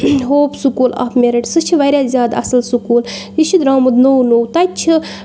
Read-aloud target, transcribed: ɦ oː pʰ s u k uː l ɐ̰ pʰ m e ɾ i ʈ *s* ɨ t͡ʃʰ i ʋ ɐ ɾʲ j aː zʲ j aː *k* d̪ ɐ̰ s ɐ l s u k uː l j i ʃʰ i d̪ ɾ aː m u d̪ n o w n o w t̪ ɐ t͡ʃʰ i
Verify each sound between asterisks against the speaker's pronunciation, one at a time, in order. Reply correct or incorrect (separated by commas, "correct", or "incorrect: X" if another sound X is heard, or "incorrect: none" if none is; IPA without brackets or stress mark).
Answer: correct, incorrect: none